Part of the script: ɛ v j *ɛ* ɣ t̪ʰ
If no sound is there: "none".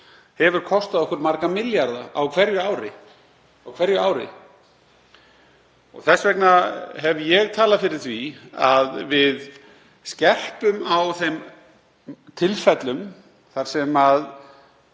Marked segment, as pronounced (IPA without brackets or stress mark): ɛ